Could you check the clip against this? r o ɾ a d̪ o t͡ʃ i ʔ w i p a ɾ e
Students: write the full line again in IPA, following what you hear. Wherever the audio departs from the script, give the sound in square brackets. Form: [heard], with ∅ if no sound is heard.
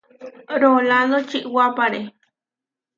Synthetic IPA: [ɾ] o [l] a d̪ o t͡ʃ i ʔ w [a] p a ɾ e